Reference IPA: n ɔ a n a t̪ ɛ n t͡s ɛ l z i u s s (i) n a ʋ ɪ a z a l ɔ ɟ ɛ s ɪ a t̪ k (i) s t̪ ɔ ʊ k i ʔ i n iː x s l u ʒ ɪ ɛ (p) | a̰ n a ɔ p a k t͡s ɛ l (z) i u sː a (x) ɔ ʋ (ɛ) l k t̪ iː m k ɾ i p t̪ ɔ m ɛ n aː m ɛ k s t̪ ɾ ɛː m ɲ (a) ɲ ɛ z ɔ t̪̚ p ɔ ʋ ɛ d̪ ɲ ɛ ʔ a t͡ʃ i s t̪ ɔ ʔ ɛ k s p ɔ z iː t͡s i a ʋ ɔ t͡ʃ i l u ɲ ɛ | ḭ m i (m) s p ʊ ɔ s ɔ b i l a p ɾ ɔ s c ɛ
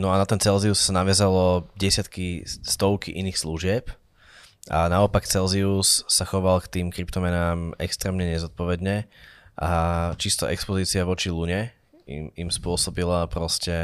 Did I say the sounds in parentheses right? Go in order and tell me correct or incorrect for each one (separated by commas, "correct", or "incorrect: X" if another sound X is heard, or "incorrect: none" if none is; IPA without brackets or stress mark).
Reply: incorrect: a, correct, correct, correct, correct, incorrect: a, incorrect: ɛ, correct